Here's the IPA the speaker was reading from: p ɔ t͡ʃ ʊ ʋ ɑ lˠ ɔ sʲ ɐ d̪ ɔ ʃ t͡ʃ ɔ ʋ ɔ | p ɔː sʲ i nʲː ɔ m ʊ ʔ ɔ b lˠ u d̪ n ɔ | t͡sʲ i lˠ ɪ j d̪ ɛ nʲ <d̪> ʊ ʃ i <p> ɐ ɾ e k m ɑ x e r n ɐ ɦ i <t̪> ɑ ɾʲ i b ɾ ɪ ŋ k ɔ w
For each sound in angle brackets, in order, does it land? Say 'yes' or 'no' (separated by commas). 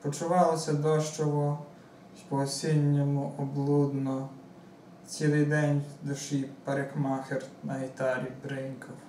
yes, yes, yes